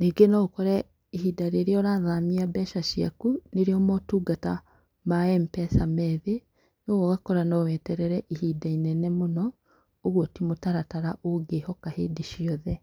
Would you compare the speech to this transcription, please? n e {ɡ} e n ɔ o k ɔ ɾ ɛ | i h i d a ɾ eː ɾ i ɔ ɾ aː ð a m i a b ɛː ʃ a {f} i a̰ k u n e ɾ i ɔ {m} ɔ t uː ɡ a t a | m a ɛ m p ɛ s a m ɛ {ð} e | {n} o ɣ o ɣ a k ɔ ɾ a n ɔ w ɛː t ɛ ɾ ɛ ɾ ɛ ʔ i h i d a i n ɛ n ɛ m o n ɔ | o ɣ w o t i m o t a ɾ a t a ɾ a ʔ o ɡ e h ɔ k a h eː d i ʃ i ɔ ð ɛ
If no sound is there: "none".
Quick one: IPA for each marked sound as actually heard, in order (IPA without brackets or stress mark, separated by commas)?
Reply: ɡ, ʃ, m, ð, n